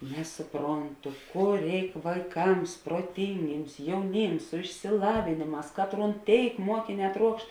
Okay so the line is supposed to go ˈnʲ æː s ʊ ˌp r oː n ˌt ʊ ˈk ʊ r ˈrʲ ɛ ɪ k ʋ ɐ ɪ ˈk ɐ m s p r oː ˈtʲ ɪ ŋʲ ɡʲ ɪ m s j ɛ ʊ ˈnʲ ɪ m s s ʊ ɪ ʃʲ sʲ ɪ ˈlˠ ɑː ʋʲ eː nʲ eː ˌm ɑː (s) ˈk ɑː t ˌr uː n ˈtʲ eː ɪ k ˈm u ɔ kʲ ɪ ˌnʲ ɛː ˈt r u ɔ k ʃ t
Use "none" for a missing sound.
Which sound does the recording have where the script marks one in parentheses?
s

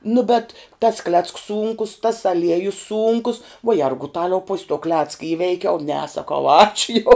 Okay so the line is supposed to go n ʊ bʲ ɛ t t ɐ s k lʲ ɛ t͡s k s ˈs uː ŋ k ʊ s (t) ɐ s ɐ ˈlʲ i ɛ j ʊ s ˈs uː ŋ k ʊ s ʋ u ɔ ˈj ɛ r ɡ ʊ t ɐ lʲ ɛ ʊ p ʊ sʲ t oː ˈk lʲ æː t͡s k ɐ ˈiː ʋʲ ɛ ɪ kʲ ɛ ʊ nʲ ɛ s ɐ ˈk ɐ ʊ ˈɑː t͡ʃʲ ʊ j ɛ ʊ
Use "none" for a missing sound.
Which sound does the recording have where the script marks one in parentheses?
t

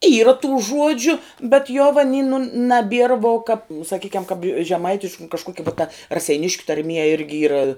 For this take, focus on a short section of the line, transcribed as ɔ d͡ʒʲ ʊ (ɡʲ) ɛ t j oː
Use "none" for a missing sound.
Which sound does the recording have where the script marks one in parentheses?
bʲ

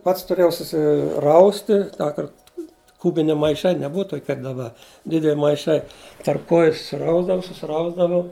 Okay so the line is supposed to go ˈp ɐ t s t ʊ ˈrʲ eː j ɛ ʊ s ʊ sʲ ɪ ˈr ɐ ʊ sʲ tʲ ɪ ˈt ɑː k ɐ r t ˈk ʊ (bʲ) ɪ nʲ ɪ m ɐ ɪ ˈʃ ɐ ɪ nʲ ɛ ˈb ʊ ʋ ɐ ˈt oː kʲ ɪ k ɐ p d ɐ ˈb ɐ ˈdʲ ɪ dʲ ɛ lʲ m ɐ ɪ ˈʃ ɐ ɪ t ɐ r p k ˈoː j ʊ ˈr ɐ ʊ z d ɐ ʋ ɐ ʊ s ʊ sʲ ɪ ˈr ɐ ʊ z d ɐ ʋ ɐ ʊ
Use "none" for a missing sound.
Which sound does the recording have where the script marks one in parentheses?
bʲ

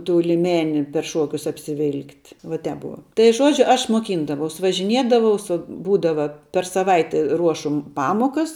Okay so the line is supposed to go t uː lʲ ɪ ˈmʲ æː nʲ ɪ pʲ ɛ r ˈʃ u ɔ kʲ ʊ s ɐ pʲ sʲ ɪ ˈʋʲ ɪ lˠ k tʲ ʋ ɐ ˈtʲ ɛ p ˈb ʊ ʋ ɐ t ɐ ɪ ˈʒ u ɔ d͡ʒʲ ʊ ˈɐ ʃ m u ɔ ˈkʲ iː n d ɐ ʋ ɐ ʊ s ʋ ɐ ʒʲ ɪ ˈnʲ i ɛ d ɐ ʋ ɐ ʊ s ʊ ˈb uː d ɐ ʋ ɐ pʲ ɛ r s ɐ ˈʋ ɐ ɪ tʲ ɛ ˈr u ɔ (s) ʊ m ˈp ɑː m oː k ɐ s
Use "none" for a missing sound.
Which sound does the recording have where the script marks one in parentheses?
ʃ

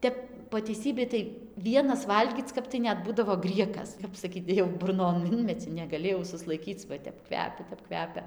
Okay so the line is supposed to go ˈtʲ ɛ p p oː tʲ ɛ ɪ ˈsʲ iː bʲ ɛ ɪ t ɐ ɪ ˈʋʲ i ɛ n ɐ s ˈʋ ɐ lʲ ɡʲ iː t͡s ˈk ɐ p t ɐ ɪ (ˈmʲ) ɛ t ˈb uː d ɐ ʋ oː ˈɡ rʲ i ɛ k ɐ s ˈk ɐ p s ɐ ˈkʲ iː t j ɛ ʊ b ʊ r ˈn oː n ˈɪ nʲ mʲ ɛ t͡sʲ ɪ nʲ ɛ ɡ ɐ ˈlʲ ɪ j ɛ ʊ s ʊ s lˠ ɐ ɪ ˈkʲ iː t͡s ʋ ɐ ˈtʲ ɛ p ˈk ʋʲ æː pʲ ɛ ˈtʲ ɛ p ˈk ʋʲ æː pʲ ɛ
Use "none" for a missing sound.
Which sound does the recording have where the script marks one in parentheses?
nʲ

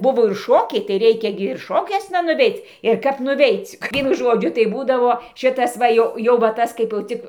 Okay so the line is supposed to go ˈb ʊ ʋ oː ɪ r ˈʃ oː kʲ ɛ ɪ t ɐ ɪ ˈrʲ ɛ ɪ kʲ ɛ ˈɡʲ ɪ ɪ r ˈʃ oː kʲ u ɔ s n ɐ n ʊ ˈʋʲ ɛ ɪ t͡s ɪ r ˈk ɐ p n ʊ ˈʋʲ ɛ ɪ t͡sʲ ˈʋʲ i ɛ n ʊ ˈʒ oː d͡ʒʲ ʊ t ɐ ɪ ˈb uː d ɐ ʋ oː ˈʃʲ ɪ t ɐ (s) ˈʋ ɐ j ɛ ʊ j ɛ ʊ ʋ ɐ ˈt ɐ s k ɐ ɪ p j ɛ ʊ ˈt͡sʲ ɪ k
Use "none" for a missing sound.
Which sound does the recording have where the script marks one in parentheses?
s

